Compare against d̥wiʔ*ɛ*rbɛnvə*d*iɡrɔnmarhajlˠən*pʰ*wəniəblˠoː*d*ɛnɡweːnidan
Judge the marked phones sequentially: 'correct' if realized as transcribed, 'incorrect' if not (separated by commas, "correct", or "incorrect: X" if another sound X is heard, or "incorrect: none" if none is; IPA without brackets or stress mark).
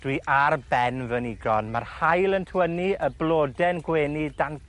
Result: incorrect: a, incorrect: n, incorrect: tʰ, correct